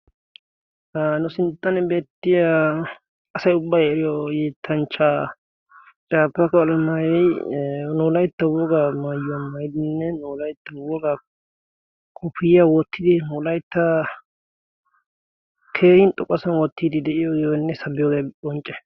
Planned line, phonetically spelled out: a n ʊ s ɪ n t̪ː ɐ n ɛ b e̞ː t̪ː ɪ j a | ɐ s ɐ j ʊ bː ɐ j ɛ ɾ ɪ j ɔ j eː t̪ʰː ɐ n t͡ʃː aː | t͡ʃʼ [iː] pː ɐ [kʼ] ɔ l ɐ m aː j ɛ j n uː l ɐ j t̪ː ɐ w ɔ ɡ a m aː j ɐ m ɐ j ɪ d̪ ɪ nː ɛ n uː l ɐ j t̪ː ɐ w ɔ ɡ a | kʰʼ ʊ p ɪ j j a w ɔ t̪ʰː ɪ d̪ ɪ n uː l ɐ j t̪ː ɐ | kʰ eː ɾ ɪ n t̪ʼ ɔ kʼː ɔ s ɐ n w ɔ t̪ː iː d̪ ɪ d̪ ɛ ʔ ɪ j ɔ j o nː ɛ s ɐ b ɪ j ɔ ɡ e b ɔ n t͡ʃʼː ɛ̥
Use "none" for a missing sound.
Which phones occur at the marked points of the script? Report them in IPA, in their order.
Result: aː, k

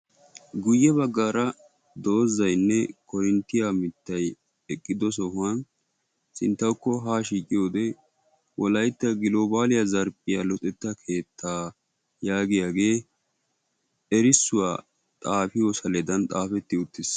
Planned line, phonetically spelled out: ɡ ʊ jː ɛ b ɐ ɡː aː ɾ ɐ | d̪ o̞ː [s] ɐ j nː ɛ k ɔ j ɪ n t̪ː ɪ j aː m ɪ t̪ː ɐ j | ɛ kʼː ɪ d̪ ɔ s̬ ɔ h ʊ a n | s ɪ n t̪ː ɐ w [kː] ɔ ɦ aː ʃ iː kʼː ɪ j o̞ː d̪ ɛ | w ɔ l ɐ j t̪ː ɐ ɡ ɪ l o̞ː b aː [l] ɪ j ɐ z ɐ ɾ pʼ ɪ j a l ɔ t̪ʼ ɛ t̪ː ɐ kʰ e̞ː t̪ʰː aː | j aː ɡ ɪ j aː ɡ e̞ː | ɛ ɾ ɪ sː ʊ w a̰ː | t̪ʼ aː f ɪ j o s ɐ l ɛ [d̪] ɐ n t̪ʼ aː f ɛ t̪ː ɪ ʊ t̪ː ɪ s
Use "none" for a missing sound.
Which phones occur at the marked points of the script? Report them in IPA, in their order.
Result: z, kː, l, d̪

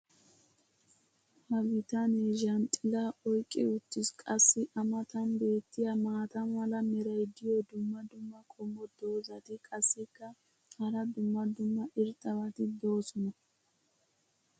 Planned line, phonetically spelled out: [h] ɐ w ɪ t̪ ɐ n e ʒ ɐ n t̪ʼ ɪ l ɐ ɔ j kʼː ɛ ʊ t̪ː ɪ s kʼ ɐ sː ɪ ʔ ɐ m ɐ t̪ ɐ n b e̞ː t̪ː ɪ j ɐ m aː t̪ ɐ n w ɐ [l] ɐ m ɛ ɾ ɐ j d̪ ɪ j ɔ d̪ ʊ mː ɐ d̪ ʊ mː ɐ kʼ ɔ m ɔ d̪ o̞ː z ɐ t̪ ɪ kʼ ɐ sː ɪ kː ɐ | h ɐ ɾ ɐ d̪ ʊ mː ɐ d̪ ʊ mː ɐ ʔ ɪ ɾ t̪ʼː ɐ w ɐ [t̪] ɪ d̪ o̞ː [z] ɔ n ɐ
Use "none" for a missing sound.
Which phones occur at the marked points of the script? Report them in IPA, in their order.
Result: h, l, t̪, s

